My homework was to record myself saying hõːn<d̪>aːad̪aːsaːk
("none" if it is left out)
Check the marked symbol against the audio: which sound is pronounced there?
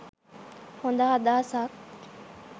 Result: d̪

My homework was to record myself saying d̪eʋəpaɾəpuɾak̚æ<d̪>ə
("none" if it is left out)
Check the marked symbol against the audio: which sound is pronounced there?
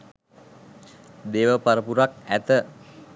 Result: t̪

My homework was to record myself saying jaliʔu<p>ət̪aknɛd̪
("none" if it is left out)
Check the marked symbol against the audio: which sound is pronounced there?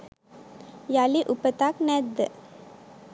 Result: p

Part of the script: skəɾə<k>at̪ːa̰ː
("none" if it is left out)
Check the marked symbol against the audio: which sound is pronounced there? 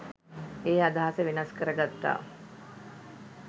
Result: ɡ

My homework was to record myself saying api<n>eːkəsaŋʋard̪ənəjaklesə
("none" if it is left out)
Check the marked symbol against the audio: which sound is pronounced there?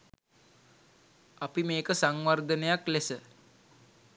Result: m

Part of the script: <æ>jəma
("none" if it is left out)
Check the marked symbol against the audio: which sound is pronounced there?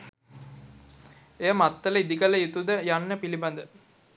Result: e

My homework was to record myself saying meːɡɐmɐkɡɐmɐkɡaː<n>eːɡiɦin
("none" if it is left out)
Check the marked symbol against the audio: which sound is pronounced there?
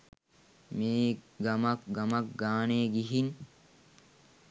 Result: n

